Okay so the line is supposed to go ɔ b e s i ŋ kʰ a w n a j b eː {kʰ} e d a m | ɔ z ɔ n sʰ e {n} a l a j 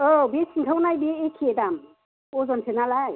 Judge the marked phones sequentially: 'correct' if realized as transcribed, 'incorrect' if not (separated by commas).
correct, correct